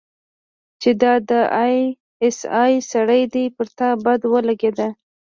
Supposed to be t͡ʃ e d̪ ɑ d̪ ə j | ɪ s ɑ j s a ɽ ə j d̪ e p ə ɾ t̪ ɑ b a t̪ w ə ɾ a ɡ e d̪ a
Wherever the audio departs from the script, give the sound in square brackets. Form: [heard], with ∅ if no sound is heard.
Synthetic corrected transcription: t͡ʃ e d̪ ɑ d̪ ə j | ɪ s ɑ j s a ɽ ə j d̪ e p ə ɾ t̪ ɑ b a [d̪] w ə [l] a ɡ e d̪ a